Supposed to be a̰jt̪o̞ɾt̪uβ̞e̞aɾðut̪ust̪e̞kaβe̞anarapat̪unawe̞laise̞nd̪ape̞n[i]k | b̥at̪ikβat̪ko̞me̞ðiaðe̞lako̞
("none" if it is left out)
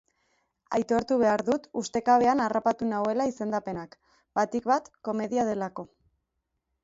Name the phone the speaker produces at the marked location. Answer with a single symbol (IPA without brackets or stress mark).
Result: a